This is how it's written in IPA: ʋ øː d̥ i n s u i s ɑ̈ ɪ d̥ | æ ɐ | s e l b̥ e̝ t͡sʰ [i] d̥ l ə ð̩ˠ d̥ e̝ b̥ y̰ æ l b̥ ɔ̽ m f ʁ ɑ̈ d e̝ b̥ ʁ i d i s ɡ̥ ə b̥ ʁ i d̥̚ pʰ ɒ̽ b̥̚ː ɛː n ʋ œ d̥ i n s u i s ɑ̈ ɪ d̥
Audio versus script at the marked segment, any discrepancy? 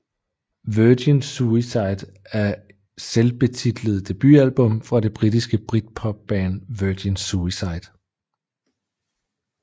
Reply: no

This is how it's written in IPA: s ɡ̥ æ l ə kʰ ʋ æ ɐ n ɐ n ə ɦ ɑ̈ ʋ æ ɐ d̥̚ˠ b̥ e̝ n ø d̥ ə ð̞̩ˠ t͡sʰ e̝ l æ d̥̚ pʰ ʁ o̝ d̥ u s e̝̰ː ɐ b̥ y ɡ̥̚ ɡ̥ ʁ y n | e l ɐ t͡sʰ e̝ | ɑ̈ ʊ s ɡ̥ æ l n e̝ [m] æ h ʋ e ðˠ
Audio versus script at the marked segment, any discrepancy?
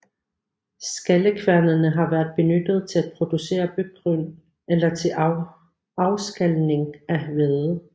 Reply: yes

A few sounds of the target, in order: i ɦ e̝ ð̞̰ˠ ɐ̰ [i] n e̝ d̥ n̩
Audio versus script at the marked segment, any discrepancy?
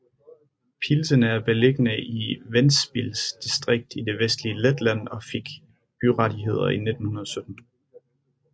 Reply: no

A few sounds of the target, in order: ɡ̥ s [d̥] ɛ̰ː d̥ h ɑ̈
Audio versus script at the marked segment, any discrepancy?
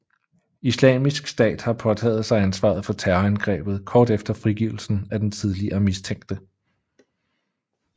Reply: no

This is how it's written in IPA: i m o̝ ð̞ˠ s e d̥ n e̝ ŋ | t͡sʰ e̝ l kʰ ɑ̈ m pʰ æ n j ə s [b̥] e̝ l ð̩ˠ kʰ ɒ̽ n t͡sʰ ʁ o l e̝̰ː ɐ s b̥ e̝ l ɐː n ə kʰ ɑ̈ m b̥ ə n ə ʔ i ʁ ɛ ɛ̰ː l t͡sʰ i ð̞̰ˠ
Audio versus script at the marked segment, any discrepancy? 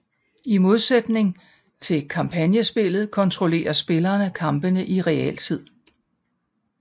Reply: no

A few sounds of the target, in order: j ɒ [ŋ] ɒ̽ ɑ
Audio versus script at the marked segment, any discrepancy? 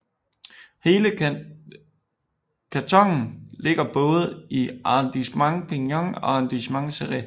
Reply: no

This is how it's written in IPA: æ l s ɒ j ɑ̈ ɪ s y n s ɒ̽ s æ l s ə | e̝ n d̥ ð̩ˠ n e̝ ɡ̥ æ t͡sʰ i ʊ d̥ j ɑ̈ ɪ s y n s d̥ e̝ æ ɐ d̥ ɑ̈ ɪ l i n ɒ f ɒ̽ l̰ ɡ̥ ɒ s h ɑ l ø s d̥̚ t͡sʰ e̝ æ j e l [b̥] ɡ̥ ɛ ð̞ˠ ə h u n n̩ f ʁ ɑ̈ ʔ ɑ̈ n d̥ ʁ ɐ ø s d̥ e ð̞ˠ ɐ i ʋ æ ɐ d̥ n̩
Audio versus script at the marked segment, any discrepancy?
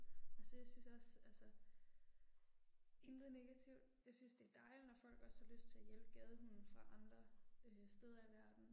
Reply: no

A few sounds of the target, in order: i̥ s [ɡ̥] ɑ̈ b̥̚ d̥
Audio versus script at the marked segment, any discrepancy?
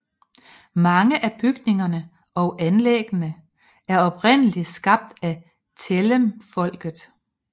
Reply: no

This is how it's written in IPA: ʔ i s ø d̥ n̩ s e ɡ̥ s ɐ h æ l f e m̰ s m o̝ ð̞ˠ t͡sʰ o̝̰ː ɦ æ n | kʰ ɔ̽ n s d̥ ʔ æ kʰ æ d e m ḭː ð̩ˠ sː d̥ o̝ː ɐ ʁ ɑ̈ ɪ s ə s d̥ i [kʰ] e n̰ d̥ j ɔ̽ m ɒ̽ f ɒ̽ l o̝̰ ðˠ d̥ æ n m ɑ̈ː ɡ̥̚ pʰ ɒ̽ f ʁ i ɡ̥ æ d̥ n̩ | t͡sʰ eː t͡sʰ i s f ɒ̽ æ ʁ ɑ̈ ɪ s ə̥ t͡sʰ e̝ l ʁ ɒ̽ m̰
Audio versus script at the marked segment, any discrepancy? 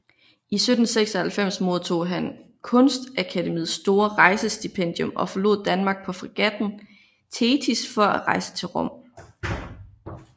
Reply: yes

